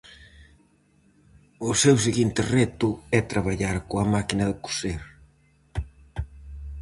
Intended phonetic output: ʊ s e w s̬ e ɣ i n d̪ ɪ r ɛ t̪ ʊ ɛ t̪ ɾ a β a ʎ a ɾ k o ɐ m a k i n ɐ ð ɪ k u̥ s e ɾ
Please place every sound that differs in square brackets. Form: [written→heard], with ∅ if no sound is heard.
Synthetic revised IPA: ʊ s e w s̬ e ɣ i n [d̪→t̪] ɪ r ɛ t̪ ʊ ɛ t̪ ɾ a β a ʎ a ɾ k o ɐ m a k i n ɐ ð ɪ k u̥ s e ɾ